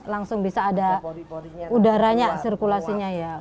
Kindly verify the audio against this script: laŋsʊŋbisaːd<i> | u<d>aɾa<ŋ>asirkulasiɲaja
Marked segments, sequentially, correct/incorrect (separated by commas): incorrect, correct, incorrect